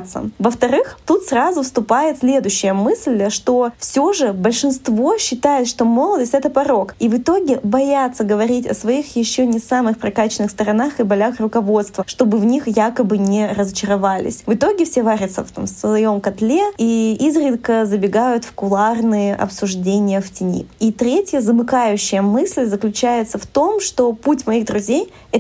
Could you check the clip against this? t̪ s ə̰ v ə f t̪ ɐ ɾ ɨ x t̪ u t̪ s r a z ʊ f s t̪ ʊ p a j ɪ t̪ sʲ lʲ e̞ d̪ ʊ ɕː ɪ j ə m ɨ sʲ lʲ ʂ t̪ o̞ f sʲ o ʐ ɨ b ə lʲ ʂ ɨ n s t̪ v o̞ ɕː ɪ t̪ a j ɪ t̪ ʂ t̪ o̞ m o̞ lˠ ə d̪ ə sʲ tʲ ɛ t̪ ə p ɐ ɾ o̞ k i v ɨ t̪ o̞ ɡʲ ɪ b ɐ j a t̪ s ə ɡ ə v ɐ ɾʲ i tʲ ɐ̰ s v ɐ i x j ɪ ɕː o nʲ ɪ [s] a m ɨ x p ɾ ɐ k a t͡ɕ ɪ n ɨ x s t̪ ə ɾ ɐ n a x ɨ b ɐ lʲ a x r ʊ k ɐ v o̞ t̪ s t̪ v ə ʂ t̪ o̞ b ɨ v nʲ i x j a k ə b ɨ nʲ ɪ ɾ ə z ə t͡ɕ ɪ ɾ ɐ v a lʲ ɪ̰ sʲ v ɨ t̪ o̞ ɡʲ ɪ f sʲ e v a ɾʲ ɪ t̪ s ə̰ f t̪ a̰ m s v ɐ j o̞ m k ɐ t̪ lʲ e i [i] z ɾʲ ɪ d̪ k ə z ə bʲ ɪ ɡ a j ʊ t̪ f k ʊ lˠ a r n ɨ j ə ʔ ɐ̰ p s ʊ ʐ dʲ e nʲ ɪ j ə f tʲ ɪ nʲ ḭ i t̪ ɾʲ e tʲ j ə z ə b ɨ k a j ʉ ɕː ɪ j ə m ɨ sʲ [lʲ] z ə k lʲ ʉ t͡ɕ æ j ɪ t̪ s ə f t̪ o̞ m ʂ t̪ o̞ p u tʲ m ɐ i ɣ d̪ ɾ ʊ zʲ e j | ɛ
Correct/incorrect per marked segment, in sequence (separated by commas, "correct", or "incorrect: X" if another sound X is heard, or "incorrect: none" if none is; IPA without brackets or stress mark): correct, correct, correct